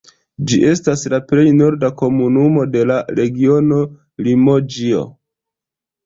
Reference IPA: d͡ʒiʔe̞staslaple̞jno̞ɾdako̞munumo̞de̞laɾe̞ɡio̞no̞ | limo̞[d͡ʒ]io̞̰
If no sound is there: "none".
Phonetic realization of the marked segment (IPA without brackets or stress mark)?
d͡ʒ